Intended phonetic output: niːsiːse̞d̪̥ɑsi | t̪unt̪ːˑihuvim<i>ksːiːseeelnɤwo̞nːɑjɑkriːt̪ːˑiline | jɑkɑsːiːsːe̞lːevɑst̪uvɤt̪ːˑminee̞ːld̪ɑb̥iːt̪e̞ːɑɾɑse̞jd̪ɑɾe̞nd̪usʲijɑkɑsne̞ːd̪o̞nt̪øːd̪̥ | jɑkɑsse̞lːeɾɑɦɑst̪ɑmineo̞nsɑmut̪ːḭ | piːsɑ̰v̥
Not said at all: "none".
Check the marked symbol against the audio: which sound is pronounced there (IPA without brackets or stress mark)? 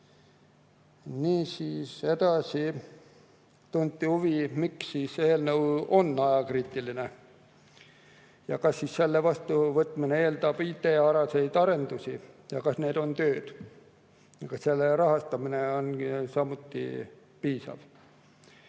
i